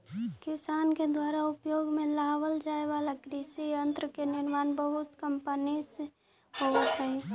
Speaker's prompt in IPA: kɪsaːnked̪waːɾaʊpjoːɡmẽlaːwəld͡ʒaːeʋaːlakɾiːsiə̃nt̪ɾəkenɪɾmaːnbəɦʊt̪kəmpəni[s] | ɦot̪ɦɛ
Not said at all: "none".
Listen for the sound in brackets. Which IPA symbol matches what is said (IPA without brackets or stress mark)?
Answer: s